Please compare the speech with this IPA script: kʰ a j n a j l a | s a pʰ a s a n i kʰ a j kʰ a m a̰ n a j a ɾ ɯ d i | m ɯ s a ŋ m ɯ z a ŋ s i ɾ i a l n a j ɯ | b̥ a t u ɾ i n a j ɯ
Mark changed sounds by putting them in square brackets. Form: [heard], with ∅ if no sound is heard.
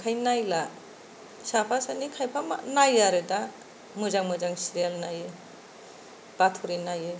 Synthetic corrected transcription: kʰ a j n a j l a | s a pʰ a s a n i kʰ a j [pʰ] a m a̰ n a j a ɾ ɯ d [a] | m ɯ [z] a ŋ m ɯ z a ŋ s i ɾ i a l n a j ɯ | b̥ a [tʰ] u ɾ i n a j ɯ